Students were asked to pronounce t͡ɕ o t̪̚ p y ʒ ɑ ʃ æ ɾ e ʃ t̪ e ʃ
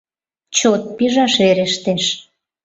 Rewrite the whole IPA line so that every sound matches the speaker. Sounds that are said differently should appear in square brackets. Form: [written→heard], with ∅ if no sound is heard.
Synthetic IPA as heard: t͡ɕ o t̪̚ p [y→i] ʒ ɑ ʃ [æ→e] ɾ e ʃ t̪ e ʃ